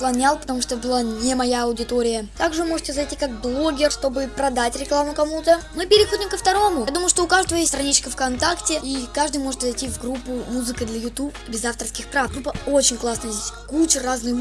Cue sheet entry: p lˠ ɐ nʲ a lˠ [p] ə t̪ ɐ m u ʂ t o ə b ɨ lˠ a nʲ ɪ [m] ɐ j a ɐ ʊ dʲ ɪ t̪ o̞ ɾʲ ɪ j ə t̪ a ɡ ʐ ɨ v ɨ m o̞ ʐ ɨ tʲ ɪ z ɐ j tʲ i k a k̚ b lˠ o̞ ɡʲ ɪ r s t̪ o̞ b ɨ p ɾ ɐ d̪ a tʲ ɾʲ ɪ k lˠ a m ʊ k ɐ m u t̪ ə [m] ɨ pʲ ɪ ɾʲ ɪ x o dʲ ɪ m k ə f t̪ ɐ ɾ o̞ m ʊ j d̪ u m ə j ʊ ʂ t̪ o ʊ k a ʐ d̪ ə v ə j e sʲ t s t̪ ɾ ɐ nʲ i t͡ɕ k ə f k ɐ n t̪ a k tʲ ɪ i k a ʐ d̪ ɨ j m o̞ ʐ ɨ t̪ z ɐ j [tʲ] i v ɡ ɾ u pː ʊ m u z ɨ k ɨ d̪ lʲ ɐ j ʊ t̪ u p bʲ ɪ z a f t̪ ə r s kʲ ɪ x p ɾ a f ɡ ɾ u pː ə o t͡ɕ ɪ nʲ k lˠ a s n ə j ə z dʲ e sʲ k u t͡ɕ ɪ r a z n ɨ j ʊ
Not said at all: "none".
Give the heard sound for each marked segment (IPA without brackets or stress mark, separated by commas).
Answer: p, m, m, tʲ